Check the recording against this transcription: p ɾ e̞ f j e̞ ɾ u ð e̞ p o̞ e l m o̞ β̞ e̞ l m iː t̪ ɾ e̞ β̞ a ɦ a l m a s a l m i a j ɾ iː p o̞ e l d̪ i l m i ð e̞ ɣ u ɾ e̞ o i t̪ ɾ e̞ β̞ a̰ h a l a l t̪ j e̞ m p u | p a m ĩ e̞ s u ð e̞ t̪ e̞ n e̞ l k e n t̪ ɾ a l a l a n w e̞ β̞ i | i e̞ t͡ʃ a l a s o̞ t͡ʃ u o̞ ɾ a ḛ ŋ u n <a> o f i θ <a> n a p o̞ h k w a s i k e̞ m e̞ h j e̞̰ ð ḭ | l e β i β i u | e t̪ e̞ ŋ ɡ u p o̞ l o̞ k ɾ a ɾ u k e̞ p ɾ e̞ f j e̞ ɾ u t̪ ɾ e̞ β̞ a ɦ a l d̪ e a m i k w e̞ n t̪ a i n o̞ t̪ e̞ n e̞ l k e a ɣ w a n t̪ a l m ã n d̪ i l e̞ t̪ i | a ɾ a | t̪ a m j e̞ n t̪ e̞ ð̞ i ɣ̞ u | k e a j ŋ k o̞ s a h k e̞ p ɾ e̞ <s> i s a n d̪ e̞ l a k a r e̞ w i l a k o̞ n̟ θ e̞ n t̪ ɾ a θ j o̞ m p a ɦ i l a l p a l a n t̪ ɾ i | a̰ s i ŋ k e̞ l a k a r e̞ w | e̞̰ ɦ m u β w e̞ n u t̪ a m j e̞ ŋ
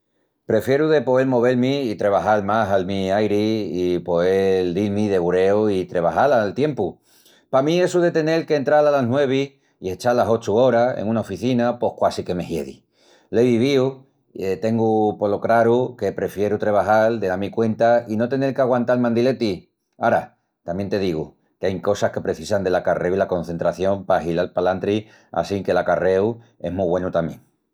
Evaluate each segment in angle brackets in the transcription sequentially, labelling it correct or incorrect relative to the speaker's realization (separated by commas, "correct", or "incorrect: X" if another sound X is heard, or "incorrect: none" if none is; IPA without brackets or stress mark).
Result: correct, incorrect: i, incorrect: θ